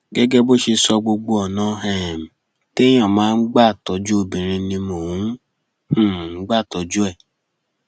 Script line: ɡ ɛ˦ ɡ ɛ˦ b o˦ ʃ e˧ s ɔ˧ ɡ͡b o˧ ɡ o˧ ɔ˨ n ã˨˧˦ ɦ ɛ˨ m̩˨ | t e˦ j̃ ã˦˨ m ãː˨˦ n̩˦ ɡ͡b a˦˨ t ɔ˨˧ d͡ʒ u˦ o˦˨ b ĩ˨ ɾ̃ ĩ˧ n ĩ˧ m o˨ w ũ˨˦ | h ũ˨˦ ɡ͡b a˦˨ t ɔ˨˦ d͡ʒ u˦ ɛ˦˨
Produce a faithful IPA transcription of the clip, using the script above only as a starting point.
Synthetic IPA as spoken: ɡ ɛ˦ ɡ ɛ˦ b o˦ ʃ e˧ s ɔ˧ ɡ͡b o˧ ɡ͡b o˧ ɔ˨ n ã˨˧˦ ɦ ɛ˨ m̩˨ | t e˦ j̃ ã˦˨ m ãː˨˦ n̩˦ ɡ͡b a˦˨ t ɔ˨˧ d͡ʒ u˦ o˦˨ b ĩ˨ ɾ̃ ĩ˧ n ĩ˧ m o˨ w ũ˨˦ | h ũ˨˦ ɡ͡b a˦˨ t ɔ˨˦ d͡ʒ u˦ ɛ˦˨